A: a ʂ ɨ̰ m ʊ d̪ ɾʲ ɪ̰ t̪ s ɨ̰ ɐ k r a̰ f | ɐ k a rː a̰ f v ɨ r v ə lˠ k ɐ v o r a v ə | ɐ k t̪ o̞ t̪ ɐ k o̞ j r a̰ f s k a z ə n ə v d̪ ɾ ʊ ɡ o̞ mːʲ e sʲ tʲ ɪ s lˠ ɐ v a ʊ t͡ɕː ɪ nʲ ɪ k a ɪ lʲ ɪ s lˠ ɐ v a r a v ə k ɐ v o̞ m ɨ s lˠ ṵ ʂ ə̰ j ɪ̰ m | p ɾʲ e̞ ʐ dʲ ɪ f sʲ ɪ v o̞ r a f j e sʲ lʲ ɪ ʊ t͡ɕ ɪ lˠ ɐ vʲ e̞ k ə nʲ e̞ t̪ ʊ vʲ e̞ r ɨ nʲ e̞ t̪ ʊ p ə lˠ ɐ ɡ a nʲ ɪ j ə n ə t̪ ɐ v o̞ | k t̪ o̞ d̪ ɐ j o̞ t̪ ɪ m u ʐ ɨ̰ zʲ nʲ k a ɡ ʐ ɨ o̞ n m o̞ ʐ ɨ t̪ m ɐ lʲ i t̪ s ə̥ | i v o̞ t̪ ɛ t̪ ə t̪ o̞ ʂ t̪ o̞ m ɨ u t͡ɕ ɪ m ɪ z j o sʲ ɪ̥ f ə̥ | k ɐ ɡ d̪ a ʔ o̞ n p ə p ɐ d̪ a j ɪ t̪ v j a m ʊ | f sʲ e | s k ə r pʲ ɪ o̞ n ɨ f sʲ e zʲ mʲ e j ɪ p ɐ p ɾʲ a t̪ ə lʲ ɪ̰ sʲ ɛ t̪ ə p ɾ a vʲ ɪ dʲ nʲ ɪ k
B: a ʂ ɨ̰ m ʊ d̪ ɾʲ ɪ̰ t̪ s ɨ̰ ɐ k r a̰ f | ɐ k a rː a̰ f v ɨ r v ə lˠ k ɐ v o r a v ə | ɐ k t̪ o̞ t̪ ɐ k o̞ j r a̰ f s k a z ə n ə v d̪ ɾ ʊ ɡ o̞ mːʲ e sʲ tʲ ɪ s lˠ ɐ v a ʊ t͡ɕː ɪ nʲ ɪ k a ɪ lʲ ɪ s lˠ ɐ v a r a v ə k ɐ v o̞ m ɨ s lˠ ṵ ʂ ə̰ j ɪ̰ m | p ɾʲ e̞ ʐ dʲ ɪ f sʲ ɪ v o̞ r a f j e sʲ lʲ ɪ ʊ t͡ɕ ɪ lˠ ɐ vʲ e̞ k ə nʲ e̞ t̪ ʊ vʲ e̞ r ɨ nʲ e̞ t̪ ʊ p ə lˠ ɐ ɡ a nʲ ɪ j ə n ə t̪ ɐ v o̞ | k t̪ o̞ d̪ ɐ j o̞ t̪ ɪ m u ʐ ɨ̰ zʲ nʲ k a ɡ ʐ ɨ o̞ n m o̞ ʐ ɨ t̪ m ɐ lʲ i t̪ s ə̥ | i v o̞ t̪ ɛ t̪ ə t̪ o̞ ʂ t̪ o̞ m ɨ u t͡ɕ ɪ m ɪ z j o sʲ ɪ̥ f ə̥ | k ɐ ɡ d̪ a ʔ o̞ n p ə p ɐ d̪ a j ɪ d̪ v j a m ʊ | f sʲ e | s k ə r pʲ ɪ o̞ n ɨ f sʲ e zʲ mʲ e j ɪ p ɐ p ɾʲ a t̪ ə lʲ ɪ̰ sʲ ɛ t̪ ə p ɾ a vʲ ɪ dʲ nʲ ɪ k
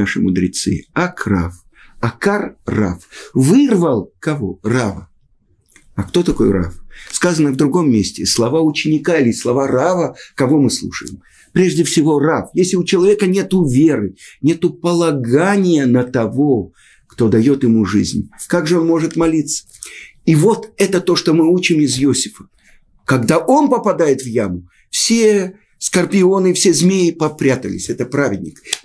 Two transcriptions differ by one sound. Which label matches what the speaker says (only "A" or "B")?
A